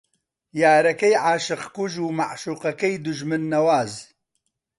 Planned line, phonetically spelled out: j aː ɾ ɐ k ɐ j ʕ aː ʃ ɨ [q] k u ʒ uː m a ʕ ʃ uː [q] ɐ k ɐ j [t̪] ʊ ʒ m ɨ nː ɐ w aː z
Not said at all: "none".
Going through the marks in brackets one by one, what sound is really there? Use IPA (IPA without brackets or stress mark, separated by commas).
q, q, d̪